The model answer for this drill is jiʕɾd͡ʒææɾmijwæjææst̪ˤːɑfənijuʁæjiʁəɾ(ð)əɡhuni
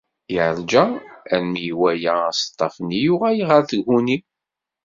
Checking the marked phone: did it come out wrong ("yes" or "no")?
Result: yes